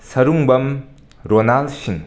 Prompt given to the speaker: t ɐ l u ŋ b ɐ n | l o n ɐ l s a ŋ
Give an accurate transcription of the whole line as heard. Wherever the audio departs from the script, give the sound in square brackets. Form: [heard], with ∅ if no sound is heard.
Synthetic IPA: [s] ɐ [ɾ] u ŋ b ɐ [m] | [ɾ] o n [a] l s [i] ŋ